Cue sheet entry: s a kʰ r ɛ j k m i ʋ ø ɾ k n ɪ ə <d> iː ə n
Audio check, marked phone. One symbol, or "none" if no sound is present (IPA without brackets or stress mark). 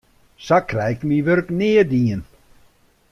d